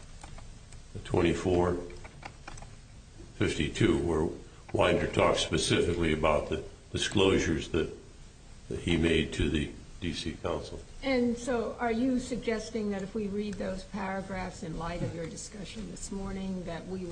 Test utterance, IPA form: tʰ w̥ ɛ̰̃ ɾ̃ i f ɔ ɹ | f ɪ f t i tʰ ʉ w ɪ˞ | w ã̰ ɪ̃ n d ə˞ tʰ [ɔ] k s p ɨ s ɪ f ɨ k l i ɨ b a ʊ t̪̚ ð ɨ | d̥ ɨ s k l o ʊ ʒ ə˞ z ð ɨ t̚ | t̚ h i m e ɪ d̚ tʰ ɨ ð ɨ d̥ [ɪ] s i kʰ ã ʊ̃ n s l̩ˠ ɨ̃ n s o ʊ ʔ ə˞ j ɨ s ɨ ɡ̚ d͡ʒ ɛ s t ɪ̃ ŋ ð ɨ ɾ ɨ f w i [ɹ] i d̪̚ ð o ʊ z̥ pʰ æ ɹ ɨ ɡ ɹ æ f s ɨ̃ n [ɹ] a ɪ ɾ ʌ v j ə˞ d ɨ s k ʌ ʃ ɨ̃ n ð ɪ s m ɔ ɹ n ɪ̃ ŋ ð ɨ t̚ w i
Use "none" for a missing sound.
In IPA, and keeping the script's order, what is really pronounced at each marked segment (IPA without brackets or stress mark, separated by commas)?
ɔ, i, ɹ, l